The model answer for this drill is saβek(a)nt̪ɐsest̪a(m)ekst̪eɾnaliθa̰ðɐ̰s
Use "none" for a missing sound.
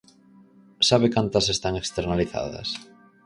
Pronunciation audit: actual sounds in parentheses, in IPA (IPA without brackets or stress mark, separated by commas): a, ŋ